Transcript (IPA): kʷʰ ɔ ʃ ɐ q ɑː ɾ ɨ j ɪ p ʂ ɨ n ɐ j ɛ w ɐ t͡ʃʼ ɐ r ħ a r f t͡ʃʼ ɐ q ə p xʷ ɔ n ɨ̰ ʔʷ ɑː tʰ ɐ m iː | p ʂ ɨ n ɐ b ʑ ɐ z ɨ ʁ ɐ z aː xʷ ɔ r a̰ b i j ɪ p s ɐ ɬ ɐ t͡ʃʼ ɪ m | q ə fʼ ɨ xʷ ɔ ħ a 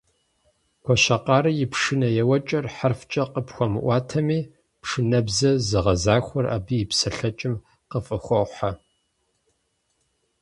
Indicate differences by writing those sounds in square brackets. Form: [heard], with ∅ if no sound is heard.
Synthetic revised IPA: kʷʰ ɔ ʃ ɐ q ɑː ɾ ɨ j ɪ p ʂ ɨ n ɐ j ɛ w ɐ t͡ʃʼ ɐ r ħ a r f t͡ʃʼ ɐ q ə p xʷ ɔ [m] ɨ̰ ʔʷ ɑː tʰ ɐ m iː | p ʂ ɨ n ɐ b [z] ɐ z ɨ ʁ ɐ z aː xʷ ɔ r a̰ b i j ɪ p s ɐ ɬ ɐ t͡ʃʼ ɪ m | q ə fʼ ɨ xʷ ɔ ħ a